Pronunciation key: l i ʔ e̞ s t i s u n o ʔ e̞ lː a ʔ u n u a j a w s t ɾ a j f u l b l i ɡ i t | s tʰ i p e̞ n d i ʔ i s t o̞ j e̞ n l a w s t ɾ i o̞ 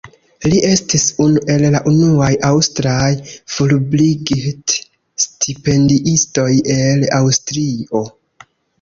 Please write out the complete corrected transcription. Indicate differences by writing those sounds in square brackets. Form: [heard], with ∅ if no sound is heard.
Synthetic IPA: l i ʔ e̞ s t i s u n [u] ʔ e̞ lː a ʔ u n u a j a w s t ɾ a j f u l b l i ɡ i t | s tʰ i p e̞ n d i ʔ i s t o̞ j e̞ [∅] l a w s t ɾ i o̞